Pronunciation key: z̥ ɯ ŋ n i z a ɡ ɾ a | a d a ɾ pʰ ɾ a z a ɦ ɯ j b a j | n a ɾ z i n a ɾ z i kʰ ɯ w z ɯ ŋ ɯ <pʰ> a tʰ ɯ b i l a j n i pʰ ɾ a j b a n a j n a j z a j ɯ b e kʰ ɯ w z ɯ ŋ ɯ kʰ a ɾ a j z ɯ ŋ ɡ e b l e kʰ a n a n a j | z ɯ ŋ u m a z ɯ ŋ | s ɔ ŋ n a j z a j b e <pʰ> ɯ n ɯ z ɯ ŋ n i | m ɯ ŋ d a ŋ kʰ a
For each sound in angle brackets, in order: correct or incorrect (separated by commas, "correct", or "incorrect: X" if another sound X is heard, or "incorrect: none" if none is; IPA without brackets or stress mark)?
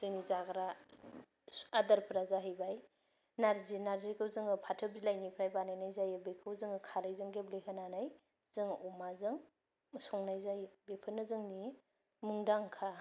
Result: correct, correct